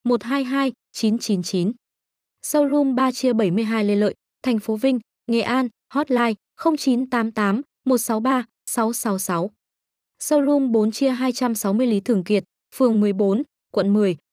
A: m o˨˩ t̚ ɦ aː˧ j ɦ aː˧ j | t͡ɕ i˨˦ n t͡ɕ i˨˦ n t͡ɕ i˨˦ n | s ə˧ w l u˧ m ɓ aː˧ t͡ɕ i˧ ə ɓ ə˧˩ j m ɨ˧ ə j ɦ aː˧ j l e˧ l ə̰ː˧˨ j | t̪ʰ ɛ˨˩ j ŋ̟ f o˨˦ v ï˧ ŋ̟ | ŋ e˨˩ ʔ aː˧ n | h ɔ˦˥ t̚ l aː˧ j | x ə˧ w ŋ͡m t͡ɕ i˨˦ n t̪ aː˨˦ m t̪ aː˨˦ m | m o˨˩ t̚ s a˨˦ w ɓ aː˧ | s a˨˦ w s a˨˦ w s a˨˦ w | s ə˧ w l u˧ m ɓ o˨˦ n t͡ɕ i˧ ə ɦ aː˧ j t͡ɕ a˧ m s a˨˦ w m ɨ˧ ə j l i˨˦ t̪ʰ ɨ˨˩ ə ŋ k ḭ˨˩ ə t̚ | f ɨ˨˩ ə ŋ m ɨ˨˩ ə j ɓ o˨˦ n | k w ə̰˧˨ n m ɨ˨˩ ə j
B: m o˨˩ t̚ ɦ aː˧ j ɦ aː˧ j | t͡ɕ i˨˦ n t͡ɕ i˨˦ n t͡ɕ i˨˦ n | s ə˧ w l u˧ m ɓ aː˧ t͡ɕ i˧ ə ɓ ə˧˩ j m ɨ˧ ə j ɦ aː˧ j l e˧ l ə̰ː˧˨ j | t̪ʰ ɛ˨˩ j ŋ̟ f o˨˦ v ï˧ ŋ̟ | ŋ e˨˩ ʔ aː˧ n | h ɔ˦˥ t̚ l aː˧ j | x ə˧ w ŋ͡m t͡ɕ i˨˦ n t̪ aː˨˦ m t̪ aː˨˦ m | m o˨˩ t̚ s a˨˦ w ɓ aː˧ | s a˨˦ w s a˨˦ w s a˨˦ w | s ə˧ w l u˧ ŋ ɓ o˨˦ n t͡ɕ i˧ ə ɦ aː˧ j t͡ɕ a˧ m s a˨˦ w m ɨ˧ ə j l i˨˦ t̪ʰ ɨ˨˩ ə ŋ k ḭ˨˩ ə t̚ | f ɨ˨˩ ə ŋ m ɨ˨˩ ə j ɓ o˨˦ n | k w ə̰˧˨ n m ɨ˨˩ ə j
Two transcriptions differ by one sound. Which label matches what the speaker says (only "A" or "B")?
A